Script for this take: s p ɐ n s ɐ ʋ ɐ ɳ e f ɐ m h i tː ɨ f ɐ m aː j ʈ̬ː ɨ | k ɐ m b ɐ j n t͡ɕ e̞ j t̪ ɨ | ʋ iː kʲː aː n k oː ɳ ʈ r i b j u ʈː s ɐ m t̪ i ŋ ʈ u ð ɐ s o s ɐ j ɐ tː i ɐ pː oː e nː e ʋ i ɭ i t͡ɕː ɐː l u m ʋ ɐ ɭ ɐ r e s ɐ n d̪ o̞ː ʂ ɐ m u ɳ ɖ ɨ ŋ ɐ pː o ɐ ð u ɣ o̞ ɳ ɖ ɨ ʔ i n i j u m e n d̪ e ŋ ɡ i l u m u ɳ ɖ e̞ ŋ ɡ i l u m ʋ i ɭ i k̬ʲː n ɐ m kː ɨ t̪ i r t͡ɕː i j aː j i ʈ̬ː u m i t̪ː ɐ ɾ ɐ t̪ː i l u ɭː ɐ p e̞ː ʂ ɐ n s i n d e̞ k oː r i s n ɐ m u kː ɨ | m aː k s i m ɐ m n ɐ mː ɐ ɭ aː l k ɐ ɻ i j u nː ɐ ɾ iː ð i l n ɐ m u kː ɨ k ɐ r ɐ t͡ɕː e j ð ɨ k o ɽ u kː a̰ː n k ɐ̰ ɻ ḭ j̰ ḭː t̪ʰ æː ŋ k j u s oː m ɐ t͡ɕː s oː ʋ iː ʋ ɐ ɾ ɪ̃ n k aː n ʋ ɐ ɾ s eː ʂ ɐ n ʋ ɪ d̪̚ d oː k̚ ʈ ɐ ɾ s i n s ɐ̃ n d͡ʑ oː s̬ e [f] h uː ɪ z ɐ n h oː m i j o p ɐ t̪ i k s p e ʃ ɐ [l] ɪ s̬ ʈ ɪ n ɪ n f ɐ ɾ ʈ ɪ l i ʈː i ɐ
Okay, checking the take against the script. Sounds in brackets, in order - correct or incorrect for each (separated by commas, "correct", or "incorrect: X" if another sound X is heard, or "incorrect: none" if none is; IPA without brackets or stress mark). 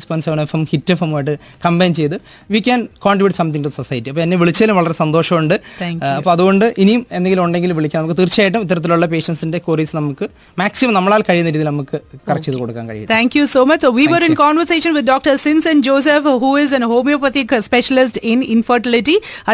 correct, correct